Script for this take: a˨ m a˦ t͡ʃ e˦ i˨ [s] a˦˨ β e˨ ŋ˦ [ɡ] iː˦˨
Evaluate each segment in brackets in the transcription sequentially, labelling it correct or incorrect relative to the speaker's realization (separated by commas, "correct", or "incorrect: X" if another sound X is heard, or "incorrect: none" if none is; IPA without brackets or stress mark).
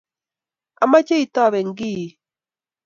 incorrect: t, correct